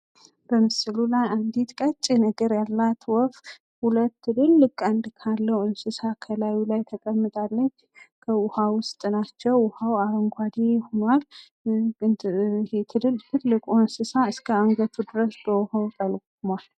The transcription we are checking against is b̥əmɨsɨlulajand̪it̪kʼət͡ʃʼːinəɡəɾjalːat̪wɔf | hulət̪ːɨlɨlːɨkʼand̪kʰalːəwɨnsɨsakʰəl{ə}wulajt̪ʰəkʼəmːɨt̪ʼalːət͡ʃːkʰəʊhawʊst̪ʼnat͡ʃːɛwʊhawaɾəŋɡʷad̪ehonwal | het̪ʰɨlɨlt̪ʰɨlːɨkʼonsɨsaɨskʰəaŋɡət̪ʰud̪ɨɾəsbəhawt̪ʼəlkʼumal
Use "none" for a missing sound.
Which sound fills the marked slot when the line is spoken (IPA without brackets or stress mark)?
a